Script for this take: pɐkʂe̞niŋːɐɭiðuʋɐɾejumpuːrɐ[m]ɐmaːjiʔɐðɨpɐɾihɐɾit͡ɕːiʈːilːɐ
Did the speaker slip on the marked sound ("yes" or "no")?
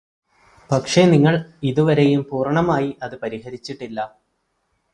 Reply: yes